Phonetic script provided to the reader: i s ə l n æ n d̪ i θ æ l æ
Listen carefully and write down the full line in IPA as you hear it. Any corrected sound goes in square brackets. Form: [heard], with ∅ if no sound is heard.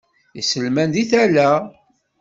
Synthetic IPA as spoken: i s ə l [m] æ n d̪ i θ æ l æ